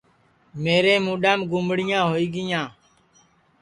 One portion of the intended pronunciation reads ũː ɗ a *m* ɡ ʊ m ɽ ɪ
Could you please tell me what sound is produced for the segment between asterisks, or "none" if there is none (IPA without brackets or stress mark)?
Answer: m